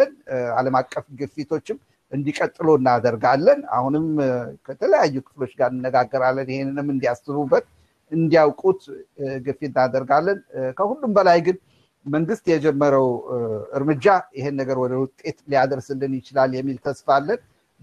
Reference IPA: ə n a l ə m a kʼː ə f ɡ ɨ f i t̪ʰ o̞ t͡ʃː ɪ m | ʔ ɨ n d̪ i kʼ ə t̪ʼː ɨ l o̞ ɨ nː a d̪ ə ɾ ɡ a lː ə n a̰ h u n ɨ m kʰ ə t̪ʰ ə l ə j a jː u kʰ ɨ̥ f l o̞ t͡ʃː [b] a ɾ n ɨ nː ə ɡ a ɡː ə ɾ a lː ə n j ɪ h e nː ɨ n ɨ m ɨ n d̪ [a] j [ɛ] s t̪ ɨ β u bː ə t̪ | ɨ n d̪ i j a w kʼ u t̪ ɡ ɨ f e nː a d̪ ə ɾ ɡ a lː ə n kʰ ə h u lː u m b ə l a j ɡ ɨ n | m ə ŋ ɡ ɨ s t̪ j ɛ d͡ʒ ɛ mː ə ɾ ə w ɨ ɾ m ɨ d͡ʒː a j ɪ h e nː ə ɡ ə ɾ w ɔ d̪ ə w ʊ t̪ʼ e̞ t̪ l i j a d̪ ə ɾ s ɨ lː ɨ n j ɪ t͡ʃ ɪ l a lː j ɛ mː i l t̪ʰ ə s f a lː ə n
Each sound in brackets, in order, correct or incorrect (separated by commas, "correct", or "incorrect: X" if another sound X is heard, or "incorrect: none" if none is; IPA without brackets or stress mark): incorrect: ɡ, incorrect: i, incorrect: a